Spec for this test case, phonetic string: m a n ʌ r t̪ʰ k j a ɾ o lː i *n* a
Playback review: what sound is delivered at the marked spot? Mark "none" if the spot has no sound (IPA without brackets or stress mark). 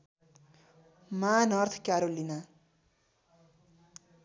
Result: n